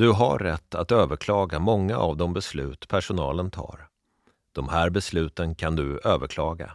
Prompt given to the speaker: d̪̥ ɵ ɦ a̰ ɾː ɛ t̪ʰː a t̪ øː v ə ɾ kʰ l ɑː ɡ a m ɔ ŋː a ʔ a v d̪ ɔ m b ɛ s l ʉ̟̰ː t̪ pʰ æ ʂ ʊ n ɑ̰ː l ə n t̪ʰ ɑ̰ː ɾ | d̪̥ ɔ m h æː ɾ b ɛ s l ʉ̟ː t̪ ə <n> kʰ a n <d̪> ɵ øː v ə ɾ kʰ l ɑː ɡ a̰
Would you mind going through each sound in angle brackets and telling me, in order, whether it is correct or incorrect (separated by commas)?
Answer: correct, correct